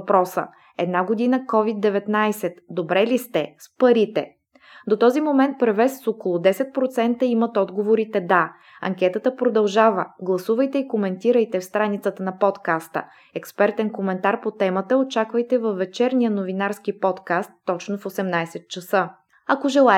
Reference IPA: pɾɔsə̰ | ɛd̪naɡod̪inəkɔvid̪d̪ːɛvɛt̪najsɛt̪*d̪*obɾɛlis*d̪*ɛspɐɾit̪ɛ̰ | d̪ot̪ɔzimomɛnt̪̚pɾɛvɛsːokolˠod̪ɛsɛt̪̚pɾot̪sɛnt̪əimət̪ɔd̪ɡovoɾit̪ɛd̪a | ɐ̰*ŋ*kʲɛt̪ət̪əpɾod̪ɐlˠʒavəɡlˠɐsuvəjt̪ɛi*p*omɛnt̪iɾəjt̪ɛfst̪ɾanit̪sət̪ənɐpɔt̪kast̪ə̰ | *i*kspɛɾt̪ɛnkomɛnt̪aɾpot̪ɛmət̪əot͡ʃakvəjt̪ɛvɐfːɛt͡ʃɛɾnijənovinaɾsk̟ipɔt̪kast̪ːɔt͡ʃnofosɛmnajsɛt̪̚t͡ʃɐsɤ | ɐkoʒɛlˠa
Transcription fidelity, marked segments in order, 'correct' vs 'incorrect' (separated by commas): correct, incorrect, correct, incorrect, incorrect